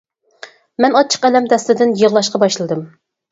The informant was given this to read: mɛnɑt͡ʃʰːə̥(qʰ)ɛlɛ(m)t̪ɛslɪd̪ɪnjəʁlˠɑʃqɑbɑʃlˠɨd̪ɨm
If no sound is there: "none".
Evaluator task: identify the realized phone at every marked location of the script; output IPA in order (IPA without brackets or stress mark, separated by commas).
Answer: q, m